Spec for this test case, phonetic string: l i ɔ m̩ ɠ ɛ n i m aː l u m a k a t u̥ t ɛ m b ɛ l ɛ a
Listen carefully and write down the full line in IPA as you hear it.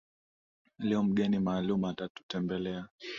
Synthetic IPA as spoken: l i ɔ m̩ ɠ ɛ n i m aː l u m a t a t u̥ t ɛ m b ɛ l ɛ a

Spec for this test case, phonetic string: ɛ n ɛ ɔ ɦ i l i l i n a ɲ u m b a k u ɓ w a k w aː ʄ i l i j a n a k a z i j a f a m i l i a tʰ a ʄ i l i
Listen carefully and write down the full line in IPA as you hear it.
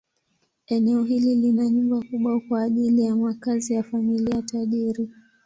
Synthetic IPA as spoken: ɛ n ɛ ɔ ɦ i l i l i n a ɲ u m b a k u ɓ w a k w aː ʄ i l i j a m a k a z i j a f a m i l i a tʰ a ʄ i ɾ i

